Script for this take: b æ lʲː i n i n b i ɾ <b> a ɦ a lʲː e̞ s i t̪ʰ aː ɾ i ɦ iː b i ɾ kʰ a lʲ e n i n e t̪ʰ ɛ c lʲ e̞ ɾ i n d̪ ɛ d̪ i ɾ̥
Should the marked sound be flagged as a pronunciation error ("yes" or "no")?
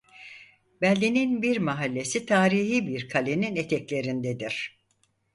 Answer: yes